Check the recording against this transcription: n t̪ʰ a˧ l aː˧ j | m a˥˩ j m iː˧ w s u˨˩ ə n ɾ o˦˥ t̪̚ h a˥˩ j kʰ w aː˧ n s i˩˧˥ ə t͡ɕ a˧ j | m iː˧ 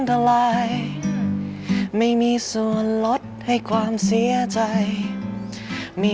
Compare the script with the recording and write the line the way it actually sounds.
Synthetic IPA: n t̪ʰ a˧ l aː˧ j | m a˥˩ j m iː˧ s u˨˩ ə n l o˦˥ t̪̚ h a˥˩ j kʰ w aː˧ m s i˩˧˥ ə t͡ɕ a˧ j | m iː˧